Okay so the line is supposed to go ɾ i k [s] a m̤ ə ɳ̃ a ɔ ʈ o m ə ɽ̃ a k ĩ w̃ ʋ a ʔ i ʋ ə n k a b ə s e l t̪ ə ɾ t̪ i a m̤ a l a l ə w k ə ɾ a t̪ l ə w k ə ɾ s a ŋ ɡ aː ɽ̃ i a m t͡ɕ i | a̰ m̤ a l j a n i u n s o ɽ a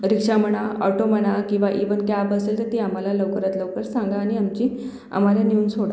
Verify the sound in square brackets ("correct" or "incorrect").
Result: incorrect